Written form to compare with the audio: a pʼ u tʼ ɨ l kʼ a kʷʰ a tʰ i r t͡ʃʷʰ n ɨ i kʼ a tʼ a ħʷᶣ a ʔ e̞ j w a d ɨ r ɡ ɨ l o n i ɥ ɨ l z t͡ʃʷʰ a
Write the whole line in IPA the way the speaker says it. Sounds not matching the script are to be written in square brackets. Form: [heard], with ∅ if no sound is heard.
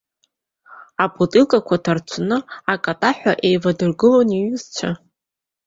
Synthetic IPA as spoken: a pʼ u tʼ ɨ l kʼ a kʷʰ a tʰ [a] r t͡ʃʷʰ n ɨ [a] kʼ a tʼ a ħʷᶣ a ʔ e̞ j [v] a d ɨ r ɡ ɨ l o n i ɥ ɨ [∅] z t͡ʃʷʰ a